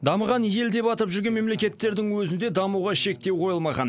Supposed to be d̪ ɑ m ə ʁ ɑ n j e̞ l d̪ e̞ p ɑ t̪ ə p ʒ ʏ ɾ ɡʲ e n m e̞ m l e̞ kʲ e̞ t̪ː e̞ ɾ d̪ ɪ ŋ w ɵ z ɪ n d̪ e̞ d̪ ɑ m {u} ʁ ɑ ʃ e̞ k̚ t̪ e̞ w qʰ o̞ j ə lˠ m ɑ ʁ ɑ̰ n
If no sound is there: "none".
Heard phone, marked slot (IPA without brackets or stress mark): u